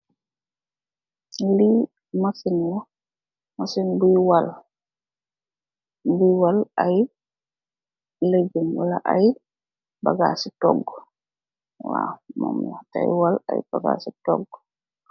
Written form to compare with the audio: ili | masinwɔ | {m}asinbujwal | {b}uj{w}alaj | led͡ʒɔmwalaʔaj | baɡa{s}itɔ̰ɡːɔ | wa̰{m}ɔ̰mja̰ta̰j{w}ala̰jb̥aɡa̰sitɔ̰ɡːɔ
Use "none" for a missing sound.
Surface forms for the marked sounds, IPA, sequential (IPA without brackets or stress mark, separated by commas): m, b, w, s, m, w